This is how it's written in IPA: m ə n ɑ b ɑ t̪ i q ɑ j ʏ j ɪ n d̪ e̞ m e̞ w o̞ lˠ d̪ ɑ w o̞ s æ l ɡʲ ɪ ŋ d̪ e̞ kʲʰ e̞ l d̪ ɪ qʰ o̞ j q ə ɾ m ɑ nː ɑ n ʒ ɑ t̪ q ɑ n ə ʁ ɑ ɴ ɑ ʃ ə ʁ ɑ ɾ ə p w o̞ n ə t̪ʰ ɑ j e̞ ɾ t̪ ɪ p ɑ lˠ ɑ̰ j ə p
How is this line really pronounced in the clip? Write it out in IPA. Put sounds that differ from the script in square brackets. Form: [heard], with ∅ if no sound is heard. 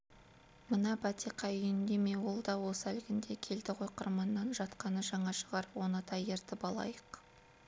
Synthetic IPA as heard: m ə n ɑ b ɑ t̪ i q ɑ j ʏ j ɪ n d̪ e̞ m e̞ w o̞ lˠ d̪ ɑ w o̞ s æ l ɡʲ ɪ [n] d̪ e̞ kʲʰ e̞ l d̪ ɪ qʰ o̞ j q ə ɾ m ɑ nː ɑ n ʒ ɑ t̪ q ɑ n ə [ʒ] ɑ ɴ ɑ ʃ ə ʁ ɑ ɾ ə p w o̞ n ə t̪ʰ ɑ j e̞ ɾ t̪ ɪ p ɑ lˠ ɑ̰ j ə [q]